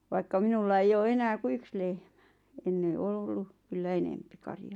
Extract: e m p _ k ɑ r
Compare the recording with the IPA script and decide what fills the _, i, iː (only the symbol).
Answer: i